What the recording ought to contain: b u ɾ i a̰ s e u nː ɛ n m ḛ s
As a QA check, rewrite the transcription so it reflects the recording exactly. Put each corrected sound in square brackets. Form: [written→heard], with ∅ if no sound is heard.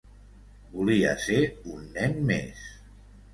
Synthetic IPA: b u [ɾ→l] i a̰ s e u nː ɛ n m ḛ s